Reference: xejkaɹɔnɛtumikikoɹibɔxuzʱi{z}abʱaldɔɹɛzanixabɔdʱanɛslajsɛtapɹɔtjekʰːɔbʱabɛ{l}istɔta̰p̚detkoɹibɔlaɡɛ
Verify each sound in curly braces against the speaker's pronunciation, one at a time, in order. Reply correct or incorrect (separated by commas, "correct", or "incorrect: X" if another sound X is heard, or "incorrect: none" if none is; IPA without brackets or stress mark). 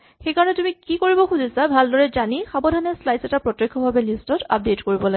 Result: incorrect: s, correct